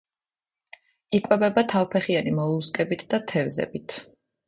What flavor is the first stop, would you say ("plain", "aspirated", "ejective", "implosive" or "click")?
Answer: ejective